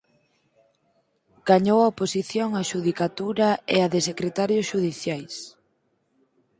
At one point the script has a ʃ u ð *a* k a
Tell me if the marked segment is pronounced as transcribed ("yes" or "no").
no